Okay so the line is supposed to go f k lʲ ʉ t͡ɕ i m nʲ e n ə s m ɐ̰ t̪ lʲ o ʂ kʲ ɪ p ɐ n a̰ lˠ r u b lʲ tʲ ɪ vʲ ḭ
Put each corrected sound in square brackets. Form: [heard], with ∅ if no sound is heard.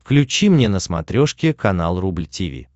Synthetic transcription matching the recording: f k lʲ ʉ t͡ɕ i m nʲ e n ə s m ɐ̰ t̪ [ɾʲ] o ʂ kʲ ɪ [k] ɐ n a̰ lˠ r u b lʲ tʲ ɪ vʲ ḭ